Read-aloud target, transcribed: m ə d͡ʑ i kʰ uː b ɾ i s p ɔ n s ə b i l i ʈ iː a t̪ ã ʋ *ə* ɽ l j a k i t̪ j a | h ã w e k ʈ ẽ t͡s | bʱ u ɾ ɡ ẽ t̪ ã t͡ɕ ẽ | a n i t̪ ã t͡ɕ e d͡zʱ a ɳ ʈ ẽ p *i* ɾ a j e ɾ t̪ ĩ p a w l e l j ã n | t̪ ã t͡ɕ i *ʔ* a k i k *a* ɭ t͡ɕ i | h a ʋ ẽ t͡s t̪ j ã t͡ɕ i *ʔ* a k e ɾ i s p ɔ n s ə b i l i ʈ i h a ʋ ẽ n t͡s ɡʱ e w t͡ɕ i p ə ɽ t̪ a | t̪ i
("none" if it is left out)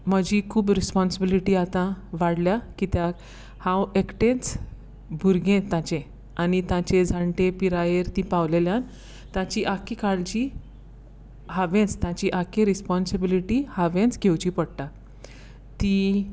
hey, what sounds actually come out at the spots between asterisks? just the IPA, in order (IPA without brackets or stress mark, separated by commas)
a, i, ʔ, a, ʔ